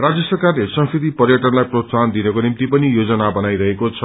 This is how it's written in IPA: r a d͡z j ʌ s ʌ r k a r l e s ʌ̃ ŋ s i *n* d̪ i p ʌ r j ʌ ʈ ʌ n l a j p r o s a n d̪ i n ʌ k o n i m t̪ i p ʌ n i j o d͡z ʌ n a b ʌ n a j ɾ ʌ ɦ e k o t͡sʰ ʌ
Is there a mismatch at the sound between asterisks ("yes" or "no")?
yes